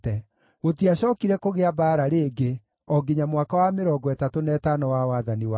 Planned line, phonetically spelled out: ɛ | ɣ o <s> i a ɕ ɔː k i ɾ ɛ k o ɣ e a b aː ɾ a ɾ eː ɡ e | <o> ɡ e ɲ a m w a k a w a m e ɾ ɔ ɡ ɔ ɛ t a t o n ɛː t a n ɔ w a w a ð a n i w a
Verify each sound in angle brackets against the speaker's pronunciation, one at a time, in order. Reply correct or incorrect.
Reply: incorrect: t, incorrect: ɔ

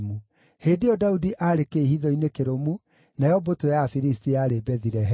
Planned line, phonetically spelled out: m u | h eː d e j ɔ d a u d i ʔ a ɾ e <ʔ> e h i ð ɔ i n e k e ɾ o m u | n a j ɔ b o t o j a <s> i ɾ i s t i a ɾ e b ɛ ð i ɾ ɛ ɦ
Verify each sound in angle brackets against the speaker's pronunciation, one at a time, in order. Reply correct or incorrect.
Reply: incorrect: k, incorrect: f

